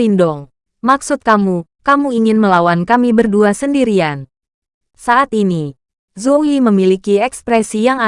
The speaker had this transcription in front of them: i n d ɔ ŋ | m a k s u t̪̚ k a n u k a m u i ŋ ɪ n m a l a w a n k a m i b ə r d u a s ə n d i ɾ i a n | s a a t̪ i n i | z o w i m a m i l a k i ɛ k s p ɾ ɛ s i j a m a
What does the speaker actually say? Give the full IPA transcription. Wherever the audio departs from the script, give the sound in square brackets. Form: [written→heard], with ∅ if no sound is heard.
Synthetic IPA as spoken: i n d ɔ ŋ | m a k s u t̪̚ k a [n→m] u k a m u i ŋ ɪ n m [a→ə] l a w a n k a m i b ə r d u a s ə n d i ɾ i a n | s a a t̪ i n i | z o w i m [a→ə] m i l [a→i] k i ɛ k s p ɾ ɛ s i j a [m→ŋ] a